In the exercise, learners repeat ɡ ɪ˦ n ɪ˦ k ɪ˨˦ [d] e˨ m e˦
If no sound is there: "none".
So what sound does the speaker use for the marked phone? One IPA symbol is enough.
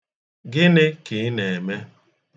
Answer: n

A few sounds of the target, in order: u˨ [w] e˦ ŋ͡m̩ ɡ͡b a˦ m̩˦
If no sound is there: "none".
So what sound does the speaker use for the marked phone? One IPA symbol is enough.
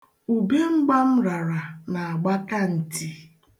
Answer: b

